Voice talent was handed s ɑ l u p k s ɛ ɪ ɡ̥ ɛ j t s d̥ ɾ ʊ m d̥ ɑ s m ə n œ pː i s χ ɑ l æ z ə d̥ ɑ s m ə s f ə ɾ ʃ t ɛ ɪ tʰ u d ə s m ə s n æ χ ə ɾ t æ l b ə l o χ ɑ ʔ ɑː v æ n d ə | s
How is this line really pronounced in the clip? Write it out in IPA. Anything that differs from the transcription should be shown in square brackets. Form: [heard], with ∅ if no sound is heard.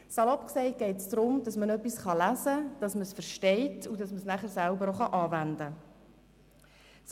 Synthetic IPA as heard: s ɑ l [ɔ] p k s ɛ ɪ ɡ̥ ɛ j t s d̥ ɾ ʊ m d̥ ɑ s m ə n œ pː i s χ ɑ l æ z ə d̥ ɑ s m ə s f ə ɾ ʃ t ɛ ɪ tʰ u d [ɑ] s m ə s n æ χ ə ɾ [s] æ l b ə [ɾ] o χ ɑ ʔ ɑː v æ n d ə | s

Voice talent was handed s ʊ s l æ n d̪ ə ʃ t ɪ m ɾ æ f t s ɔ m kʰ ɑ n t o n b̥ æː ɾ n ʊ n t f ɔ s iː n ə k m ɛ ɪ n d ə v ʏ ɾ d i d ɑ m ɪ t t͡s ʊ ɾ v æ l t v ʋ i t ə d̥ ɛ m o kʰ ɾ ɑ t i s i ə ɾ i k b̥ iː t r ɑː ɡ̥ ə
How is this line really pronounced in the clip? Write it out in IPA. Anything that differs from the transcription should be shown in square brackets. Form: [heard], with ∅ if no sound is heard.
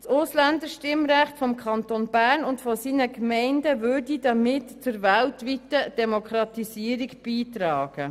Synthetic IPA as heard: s ʊ s l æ n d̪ ə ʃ t ɪ m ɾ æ [χ] t [f] ɔ m kʰ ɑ n t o n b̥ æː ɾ n ʊ n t f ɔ s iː n ə k m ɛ ɪ n d ə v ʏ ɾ d i d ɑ m ɪ t t͡s ʊ ɾ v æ l t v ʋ i t ə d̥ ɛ m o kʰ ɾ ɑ t i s i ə ɾ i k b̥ iː t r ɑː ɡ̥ ə

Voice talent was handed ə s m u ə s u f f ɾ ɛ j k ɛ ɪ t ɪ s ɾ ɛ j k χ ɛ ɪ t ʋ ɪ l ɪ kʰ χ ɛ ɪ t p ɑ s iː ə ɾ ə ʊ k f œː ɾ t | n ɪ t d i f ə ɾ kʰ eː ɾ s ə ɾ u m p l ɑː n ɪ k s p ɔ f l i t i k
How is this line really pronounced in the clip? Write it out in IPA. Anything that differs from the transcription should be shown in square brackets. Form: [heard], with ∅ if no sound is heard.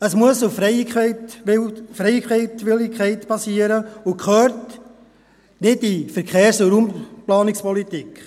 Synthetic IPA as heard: ə s m u ə s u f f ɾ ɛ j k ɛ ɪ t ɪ [f] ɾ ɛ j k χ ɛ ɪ t ʋ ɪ l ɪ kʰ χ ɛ ɪ t p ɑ s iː ə ɾ ə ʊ k [χ] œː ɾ t | n ɪ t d i f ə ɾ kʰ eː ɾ s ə ɾ u m p l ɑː n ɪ k s p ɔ [∅] l i t i k

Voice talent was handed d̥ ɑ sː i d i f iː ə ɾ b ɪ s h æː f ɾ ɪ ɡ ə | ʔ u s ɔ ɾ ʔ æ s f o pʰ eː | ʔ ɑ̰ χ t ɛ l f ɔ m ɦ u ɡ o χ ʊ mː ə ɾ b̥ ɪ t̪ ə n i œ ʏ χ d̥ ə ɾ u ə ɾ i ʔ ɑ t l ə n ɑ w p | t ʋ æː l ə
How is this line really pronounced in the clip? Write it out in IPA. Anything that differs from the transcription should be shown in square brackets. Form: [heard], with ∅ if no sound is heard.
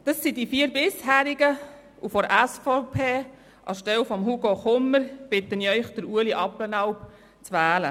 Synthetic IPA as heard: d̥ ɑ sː i d i f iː ə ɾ b ɪ s h æː [∅] ɾ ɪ ɡ ə | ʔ u [f] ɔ ɾ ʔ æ s f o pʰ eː | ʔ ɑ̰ [ʃ] t ɛ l f ɔ m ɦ u ɡ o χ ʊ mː ə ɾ b̥ ɪ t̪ ə n i œ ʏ χ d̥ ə ɾ u ə [l] i ʔ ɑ [p] l ə n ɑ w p | [t͡s] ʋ æː l ə

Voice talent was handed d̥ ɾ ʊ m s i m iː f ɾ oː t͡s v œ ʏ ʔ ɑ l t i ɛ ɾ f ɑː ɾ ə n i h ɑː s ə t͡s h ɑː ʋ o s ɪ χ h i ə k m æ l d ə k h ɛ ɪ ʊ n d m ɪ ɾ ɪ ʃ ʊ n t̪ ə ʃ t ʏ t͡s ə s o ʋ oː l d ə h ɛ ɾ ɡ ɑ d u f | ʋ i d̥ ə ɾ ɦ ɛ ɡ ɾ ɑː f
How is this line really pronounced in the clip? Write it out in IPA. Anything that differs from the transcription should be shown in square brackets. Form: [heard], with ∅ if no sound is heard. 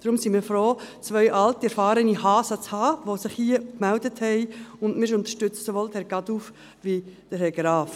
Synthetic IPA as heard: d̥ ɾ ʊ m s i m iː f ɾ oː t͡s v œ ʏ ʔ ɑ l t i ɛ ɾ f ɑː ɾ ə n i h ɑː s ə t͡s h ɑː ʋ o s ɪ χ h i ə k m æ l d ə [t] h ɛ ɪ ʊ n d m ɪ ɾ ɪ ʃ ʊ n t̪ ə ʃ t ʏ t͡s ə s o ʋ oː l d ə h ɛ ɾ ɡ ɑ d u f | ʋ i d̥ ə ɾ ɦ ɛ ɡ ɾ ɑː f

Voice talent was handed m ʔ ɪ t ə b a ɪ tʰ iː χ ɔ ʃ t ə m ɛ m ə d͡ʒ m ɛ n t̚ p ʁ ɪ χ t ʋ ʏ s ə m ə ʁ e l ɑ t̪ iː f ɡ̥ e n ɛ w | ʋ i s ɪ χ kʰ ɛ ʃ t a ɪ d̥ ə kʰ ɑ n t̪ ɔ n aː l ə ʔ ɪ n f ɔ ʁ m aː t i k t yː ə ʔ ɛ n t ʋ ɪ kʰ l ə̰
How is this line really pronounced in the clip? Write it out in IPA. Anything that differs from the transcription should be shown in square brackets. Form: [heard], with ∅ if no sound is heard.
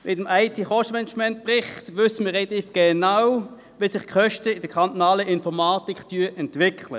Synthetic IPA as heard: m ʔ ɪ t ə [m] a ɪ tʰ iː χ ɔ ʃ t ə m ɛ [n] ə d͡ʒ m ɛ n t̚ p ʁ ɪ χ t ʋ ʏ s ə m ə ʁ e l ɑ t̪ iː f ɡ̥ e n [a] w | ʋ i s ɪ χ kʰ [œ] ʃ t [ə] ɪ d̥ ə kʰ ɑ n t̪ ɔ n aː l ə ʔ ɪ n f ɔ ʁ m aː t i k t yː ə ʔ ɛ n t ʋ ɪ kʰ l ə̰

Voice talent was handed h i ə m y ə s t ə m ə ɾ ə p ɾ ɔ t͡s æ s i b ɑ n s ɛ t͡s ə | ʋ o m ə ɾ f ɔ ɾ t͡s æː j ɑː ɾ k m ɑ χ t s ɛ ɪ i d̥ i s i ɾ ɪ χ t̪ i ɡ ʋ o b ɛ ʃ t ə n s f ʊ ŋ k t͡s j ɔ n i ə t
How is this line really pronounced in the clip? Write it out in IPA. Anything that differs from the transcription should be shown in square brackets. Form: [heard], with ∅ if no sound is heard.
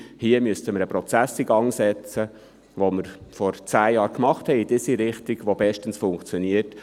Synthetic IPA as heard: h i ə m y ə s t ə m ə ɾ ə p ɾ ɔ t͡s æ s i [ɡ] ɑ [ŋ] s ɛ t͡s ə | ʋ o m ə ɾ f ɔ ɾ t͡s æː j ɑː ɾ k m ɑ χ t [h] ɛ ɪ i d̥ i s i ɾ ɪ χ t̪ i ɡ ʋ o b ɛ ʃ t ə n s f ʊ ŋ k t͡s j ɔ n i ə t

